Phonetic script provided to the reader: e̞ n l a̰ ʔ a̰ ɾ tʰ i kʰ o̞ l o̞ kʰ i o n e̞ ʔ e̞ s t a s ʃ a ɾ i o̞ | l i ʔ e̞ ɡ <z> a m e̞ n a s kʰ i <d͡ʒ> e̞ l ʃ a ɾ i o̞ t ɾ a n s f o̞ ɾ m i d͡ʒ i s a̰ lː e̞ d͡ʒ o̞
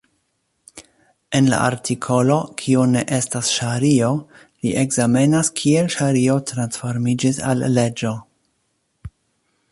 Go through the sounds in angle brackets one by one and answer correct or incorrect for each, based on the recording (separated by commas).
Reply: correct, incorrect